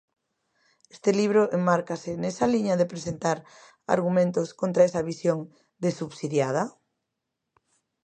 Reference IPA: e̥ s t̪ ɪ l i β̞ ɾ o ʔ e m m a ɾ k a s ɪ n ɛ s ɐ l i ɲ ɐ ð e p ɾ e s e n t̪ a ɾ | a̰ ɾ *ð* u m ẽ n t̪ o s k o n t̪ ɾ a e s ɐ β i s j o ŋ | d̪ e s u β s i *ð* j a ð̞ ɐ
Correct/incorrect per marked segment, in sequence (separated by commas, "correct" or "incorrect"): incorrect, correct